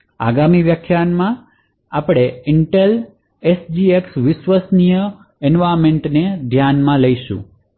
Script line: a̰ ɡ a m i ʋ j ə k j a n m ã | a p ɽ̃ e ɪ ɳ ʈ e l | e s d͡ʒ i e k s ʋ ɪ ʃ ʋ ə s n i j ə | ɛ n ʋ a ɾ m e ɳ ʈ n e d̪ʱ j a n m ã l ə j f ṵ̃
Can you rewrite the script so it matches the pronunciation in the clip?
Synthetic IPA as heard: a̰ ɡ a m i ʋ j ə kʰ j a n m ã | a p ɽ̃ e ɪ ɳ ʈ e l | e s d͡ʒ i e k s ʋ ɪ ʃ ʋ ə s n i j ə | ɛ n ʋ a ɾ m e ɳ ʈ n e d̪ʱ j a n m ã l ə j ʃ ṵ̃